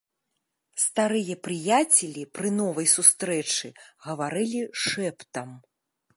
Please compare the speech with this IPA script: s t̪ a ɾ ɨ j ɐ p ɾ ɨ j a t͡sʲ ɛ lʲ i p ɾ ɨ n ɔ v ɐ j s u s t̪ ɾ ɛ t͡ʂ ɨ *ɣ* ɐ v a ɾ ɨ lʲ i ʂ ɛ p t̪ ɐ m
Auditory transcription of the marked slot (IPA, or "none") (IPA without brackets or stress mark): ɣ